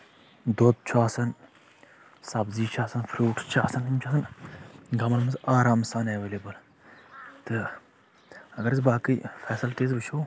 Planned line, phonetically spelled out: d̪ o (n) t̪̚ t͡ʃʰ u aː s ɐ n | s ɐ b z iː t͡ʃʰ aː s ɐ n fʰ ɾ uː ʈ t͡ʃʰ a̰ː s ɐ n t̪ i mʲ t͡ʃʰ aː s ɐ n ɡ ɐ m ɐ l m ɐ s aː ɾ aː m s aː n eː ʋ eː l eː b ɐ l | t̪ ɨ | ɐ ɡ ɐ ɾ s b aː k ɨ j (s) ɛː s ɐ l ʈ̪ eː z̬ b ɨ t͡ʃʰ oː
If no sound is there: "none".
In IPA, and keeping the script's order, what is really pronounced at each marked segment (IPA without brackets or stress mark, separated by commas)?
none, f